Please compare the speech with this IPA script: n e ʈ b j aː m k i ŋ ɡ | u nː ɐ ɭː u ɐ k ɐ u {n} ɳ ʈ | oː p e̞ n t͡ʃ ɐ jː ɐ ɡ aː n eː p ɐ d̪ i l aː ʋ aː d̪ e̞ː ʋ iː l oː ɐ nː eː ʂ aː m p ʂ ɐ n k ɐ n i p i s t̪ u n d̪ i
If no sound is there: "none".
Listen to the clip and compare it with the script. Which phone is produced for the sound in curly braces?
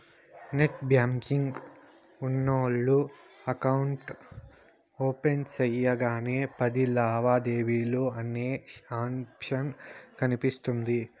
none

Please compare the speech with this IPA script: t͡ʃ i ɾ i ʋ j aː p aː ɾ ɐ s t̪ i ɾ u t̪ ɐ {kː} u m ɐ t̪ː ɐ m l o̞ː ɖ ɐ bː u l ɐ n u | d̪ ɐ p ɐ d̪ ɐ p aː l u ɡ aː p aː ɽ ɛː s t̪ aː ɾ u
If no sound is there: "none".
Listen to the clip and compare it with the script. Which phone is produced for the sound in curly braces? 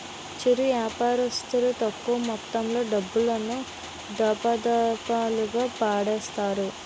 kː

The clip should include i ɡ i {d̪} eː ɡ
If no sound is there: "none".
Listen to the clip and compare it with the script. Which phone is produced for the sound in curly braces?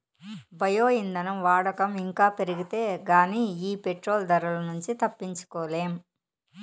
t̪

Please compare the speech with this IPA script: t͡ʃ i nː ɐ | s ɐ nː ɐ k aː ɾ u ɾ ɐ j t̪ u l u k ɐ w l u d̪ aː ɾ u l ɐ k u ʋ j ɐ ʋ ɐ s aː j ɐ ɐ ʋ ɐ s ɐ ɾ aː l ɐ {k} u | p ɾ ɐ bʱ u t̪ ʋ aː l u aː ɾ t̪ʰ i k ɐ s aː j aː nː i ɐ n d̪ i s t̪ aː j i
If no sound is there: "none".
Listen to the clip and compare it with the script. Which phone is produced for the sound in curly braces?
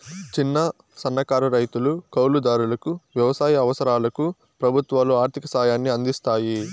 k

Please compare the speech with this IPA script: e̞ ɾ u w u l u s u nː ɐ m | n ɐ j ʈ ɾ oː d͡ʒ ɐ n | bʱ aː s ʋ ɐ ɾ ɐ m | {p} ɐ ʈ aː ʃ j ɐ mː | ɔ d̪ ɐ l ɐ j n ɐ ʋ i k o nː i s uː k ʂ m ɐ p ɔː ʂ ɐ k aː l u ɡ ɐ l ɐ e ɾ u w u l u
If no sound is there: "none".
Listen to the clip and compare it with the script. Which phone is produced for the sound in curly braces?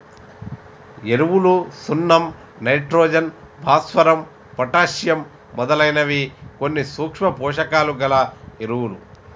p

